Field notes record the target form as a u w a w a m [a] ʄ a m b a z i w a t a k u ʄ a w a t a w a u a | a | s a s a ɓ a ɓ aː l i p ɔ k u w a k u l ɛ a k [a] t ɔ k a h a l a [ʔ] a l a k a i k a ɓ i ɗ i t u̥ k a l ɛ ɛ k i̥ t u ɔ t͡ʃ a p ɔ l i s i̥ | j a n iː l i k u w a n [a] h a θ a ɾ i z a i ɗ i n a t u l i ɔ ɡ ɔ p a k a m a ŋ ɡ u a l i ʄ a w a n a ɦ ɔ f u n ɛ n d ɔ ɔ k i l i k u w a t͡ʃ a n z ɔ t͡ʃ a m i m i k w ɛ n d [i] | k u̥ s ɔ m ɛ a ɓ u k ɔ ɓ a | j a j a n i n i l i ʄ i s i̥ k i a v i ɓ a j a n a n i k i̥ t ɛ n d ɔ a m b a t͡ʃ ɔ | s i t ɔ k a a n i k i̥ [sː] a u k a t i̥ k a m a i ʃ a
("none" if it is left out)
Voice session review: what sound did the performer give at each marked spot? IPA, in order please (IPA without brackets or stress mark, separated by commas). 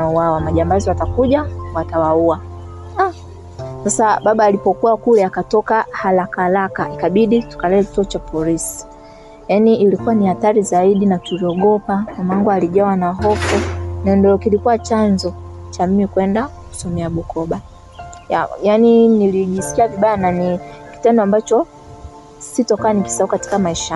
a, a, k, i, a, s